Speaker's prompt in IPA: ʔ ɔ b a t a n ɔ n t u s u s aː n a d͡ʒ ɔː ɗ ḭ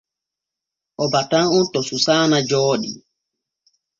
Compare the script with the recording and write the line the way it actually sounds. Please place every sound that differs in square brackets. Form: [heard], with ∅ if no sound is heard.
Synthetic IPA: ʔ ɔ b a t a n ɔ n t [ɔ] s u s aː n a d͡ʒ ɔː ɗ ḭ